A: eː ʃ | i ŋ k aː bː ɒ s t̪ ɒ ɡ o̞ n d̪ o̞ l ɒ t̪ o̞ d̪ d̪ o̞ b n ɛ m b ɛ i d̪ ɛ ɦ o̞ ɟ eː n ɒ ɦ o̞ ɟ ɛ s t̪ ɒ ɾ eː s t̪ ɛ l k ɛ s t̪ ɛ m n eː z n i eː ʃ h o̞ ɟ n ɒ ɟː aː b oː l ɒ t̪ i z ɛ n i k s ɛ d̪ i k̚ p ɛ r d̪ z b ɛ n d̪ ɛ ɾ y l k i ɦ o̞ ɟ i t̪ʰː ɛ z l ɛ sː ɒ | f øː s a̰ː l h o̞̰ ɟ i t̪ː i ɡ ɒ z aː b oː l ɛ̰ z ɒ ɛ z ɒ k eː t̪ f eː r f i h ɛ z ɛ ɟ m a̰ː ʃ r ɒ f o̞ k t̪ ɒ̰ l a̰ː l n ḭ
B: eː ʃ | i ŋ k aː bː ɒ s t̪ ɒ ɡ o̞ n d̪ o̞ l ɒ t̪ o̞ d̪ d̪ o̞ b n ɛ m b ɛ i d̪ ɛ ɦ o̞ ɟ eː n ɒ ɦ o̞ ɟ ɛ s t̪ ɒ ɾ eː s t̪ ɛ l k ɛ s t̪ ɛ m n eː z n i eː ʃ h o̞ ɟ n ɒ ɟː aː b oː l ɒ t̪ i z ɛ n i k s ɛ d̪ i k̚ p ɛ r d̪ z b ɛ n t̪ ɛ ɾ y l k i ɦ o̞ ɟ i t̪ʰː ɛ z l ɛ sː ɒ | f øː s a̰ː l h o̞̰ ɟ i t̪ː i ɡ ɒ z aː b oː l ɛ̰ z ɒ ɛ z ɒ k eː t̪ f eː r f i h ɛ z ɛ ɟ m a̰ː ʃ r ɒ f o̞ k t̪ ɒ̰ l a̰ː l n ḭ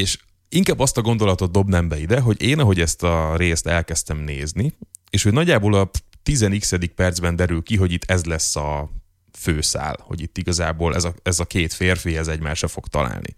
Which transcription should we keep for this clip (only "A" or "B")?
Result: A